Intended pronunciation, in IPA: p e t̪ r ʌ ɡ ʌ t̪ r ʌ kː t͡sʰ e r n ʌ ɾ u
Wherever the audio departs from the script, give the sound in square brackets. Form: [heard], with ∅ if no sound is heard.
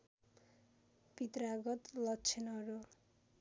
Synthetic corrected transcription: p [i] t̪ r [a] ɡ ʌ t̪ [l] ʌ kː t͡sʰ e [∅] n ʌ ɾ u